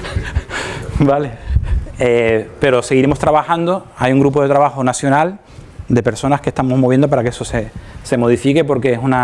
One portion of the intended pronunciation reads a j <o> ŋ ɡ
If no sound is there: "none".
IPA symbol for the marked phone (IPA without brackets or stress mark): u